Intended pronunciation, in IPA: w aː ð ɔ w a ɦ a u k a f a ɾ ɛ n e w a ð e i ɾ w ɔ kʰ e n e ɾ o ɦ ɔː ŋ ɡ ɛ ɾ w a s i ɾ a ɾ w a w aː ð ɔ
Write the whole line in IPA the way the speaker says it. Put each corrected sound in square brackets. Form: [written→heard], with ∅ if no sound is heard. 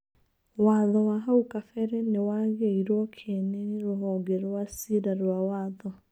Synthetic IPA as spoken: w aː ð ɔ w a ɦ a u k a f [a→ɛ] ɾ ɛ n e w a [ð→ɣ] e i ɾ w ɔ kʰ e n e ɾ o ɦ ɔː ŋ ɡ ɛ ɾ w a s i ɾ a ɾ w a w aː ð ɔ